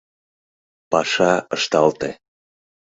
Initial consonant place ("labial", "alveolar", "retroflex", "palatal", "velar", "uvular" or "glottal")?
labial